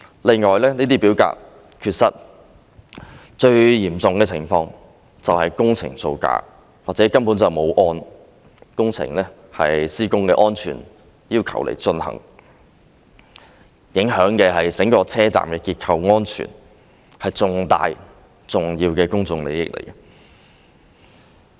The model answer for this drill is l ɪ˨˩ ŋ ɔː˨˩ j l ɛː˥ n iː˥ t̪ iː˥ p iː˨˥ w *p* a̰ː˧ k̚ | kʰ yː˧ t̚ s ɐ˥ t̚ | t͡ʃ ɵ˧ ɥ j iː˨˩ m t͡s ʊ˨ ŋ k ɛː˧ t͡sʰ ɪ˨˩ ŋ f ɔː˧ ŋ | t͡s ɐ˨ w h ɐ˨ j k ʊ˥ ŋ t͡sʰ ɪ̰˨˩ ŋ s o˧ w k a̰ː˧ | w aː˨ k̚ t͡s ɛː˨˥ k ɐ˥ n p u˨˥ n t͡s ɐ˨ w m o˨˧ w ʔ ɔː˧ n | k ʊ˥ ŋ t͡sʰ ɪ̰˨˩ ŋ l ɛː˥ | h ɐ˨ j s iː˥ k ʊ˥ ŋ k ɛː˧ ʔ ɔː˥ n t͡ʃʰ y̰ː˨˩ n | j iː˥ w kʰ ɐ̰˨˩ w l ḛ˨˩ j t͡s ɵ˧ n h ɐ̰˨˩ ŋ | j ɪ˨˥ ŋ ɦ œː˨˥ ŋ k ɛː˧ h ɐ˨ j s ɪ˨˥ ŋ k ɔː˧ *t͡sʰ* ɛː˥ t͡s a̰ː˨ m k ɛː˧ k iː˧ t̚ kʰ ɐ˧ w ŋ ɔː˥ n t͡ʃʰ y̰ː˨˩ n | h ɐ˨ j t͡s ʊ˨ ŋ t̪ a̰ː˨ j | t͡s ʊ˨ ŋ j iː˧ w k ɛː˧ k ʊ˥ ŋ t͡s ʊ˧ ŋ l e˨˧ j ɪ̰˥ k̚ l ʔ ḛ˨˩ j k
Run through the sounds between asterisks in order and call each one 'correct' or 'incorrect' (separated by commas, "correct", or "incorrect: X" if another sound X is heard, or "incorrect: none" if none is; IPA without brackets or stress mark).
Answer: incorrect: k, correct